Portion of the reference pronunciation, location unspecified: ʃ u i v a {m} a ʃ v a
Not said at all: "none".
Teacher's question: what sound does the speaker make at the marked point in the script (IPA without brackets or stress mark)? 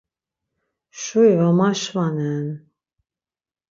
m